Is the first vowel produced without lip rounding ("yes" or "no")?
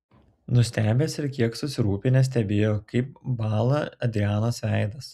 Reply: no